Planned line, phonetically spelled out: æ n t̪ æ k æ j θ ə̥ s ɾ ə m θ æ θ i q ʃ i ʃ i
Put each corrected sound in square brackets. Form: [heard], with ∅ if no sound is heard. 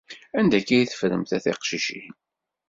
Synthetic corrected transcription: æ n [d̪] æ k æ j θ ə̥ [f] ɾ ə m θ æ θ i q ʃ i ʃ i